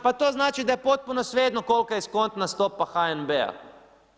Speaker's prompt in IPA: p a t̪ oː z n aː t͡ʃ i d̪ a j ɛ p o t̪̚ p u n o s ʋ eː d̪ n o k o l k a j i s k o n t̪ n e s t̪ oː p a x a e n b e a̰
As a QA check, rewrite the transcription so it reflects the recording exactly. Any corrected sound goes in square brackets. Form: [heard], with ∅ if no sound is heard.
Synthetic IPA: p a t̪ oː z n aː t͡ʃ i d̪ a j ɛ p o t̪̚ p u n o s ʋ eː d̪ n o k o l k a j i s k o n t̪ n [a] s t̪ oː p a x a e n b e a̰